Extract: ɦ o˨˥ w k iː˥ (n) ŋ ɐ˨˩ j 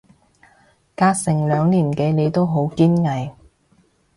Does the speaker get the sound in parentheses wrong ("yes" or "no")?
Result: no